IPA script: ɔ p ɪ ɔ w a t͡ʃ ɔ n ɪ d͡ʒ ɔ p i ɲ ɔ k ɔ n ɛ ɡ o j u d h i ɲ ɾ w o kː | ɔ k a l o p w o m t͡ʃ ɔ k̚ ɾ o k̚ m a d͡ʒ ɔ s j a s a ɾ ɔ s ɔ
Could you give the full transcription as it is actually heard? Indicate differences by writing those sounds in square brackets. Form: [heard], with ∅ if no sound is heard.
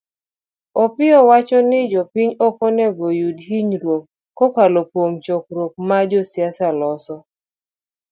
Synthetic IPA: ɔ p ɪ ɔ w a t͡ʃ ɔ n ɪ d͡ʒ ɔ p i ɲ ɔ k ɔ n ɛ ɡ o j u d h i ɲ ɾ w o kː | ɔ k a l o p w o m t͡ʃ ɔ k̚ ɾ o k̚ m a d͡ʒ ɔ s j a s a [l] ɔ s ɔ